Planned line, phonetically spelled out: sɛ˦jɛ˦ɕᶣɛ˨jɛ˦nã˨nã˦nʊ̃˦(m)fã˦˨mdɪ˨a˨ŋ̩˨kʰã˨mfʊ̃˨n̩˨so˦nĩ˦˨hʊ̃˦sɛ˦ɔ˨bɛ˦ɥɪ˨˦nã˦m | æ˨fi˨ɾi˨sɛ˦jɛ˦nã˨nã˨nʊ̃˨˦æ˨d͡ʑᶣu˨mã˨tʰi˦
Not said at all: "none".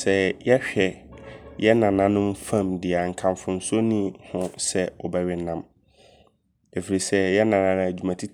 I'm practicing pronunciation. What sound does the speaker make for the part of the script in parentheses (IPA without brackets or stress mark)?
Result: m